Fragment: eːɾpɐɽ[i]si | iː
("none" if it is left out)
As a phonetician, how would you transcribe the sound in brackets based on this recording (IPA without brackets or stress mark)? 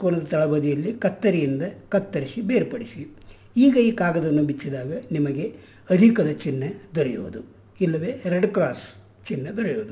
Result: i